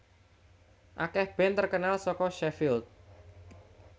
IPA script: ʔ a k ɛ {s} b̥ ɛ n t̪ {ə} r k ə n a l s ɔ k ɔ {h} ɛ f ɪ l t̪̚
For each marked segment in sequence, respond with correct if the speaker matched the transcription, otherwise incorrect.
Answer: incorrect, correct, incorrect

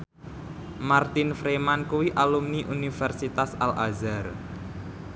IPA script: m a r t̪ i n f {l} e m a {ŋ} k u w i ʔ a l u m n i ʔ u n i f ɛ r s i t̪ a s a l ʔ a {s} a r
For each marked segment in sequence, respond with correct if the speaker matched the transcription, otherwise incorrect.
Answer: incorrect, incorrect, incorrect

